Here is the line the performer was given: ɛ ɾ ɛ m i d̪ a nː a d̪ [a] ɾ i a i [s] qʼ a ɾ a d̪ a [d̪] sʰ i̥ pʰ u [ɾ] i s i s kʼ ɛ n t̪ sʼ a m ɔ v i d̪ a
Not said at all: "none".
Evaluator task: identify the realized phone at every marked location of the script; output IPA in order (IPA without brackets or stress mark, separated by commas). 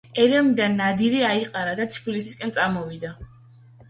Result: i, none, t̪, l